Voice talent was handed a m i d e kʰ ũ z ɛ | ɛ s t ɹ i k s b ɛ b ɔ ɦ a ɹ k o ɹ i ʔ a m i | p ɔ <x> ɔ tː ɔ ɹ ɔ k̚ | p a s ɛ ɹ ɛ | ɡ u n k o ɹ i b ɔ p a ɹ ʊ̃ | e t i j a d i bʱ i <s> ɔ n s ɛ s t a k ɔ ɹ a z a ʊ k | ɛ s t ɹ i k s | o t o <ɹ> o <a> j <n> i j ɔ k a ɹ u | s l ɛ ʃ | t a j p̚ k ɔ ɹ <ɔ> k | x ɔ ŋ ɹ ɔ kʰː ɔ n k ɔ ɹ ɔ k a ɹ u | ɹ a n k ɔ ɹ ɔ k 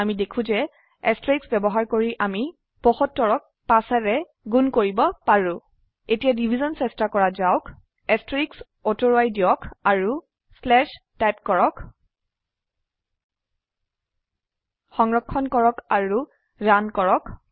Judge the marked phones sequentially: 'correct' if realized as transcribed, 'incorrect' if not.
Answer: correct, incorrect: z, correct, correct, incorrect: d, correct

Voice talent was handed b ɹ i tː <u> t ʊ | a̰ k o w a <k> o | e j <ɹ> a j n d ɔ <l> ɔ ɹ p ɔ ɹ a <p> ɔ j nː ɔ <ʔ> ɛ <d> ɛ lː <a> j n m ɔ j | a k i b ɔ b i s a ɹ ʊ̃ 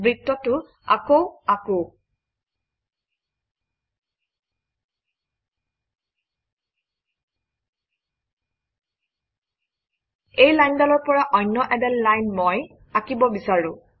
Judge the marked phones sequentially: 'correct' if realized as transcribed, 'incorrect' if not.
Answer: incorrect: ɔ, correct, incorrect: l, correct, incorrect: ʔ, correct, correct, correct

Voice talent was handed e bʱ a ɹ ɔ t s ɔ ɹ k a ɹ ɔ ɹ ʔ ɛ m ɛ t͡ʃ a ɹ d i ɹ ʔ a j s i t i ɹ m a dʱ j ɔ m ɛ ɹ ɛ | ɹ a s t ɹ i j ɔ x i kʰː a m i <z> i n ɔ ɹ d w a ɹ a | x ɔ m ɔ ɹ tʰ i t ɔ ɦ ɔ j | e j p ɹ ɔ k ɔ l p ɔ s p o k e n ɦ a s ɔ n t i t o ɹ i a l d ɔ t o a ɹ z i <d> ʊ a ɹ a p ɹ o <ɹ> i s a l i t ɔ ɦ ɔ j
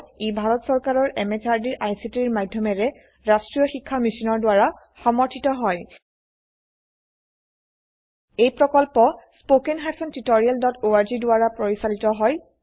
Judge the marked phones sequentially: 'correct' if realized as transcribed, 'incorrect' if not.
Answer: incorrect: s, correct, correct

